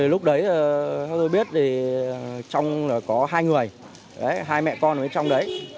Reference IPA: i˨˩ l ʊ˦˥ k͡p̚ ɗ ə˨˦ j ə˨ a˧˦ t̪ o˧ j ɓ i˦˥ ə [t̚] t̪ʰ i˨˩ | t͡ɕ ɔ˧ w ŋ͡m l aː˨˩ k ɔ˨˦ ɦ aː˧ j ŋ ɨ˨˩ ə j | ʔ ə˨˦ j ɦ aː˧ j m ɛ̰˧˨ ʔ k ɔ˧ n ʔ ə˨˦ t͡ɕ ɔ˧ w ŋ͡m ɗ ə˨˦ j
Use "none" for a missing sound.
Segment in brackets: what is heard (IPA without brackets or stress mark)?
t̚